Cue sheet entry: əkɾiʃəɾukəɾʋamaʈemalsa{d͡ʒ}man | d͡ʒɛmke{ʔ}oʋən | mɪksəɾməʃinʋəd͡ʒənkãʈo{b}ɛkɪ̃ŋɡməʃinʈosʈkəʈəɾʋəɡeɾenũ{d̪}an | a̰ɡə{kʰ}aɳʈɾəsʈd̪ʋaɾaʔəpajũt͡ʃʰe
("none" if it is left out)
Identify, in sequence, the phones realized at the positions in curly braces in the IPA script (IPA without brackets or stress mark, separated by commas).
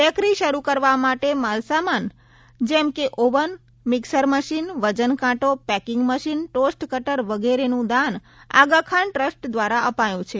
none, ʔ, p, d̪, kʰ